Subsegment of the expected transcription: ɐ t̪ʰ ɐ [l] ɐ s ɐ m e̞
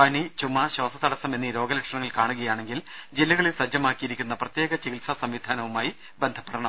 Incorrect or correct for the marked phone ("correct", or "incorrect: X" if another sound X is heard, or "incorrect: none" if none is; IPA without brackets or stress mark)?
incorrect: ɽ